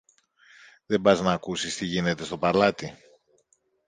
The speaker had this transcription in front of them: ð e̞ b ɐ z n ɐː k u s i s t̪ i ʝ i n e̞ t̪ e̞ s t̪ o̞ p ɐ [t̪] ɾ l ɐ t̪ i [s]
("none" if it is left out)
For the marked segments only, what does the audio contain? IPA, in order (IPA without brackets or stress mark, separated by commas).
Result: none, none